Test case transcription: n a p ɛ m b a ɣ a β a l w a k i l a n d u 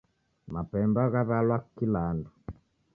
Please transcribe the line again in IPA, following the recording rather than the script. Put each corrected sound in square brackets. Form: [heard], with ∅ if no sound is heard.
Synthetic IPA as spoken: [m] a p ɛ m b a ɣ a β a l w a k i l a n d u